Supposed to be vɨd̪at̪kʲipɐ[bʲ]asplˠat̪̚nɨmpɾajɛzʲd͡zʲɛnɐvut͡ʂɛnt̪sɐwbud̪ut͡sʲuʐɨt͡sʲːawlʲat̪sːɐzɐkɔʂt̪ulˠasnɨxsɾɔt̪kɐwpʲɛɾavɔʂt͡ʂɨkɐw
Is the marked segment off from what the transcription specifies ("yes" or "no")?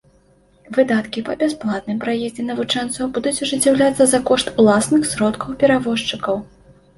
no